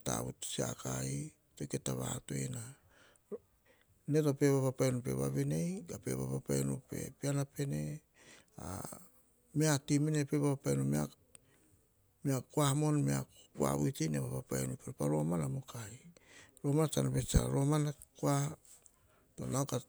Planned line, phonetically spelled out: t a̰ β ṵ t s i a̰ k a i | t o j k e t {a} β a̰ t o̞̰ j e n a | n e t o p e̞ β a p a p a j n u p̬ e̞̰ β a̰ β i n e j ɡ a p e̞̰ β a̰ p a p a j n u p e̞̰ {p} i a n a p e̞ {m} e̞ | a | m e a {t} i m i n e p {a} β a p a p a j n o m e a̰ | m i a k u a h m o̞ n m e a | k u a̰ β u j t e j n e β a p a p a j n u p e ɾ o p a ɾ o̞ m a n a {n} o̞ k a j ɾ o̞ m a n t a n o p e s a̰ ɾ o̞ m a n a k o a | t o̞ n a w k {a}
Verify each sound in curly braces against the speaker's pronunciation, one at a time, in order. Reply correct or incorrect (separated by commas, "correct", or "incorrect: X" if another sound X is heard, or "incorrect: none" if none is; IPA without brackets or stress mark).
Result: correct, correct, incorrect: n, correct, incorrect: e, incorrect: m, correct